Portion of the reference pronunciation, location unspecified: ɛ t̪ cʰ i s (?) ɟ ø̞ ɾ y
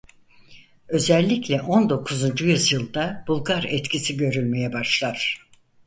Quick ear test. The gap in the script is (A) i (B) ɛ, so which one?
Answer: A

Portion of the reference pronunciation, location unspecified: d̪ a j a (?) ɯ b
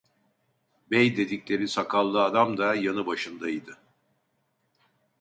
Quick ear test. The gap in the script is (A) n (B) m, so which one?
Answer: A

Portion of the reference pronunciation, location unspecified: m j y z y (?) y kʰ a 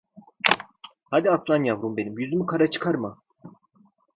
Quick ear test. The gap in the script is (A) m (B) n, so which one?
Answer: A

